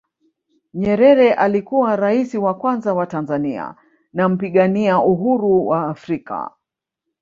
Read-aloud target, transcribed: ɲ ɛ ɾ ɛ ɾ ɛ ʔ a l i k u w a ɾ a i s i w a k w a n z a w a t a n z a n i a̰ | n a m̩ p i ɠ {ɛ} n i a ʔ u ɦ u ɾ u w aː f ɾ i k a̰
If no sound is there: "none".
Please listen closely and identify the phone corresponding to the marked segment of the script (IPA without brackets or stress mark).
a